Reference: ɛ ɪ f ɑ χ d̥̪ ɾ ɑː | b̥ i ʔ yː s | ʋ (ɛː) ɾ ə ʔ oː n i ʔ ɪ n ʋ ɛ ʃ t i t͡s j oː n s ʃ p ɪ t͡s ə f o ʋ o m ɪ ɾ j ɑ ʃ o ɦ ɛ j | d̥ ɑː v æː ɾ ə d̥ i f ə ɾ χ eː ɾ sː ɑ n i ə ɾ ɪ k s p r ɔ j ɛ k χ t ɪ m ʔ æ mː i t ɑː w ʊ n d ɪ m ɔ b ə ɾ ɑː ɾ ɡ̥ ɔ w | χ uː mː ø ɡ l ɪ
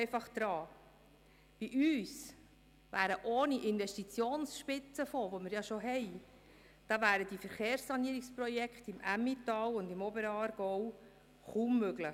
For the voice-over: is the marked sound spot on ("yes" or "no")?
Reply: no